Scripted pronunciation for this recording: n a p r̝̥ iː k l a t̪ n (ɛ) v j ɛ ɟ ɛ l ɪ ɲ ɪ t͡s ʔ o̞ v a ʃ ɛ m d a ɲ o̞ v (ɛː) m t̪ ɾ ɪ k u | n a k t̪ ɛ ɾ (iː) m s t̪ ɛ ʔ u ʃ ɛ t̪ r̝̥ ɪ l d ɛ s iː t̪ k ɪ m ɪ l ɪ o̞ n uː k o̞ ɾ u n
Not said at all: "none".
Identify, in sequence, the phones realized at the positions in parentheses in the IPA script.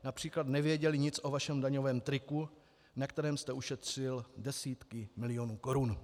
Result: ɛ, ɛː, ɛː

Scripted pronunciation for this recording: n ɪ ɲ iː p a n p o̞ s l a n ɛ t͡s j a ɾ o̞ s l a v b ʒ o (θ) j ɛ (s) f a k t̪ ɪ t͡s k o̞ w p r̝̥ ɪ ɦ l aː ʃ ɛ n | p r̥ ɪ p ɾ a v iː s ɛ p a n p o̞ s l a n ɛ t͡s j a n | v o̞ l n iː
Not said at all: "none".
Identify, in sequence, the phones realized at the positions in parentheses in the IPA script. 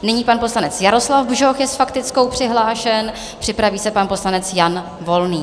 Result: x, s

